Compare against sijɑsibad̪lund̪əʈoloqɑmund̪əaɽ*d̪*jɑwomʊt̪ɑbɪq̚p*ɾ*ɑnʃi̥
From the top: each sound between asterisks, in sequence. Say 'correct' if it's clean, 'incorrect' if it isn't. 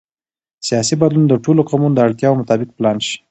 incorrect, incorrect

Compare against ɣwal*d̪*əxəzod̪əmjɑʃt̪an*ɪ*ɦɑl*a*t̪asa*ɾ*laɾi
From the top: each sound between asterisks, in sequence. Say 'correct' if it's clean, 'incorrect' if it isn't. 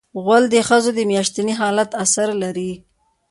correct, incorrect, correct, correct

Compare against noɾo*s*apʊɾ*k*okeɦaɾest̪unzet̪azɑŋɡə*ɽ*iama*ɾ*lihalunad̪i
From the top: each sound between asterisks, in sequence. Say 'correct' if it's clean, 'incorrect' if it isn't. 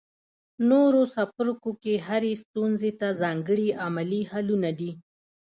correct, correct, correct, incorrect

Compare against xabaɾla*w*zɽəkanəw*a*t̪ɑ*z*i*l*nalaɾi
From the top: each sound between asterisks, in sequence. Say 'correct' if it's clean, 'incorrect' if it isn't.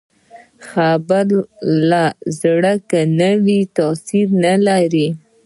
incorrect, incorrect, incorrect, incorrect

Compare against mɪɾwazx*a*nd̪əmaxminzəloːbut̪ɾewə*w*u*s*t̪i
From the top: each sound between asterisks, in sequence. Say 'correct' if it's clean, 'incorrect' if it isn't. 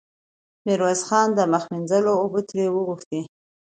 incorrect, incorrect, incorrect

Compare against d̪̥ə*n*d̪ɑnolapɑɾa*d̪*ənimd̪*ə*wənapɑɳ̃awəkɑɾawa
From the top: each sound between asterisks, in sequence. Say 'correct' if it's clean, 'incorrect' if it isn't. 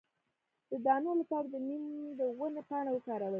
incorrect, correct, correct

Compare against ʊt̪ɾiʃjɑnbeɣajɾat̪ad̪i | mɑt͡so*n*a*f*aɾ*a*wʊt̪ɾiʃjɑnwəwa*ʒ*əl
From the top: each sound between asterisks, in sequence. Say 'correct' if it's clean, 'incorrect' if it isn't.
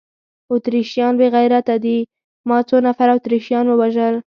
correct, correct, correct, correct

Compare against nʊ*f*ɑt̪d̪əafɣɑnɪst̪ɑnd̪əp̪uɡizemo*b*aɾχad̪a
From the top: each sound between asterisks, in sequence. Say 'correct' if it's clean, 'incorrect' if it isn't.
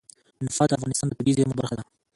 correct, correct

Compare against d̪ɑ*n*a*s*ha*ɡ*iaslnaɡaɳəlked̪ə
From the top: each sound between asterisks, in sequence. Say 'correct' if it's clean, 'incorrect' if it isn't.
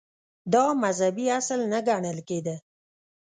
incorrect, incorrect, incorrect

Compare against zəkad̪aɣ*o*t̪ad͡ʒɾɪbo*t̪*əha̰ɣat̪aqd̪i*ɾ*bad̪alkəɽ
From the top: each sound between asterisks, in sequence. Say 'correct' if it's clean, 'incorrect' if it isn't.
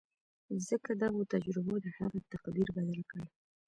correct, incorrect, correct

